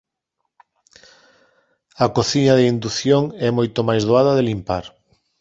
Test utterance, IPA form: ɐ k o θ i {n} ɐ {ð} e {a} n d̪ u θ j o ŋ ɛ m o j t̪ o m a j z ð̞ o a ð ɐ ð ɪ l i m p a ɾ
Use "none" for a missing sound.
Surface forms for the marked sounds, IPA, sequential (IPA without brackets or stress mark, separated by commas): ɲ, ð, i